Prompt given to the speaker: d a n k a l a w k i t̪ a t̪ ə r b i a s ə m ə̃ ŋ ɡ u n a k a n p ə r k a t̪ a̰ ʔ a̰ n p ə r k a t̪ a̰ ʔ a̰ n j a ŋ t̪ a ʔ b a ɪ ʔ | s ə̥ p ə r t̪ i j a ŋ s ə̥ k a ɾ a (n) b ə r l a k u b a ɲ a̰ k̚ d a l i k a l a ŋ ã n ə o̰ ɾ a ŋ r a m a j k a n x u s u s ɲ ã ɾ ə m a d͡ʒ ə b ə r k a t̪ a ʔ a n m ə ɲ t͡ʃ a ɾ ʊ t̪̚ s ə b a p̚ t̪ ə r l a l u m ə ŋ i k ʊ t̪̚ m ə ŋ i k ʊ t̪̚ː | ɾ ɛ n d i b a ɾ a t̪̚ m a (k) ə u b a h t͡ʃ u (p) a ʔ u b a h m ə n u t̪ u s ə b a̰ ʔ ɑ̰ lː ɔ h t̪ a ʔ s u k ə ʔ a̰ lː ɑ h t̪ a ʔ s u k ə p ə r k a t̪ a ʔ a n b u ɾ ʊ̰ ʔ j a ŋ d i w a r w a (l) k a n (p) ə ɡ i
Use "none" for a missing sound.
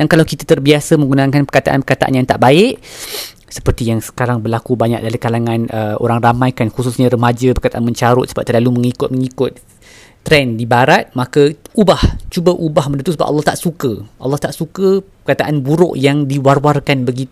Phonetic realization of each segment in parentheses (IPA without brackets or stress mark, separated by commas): ŋ, k, b, r, b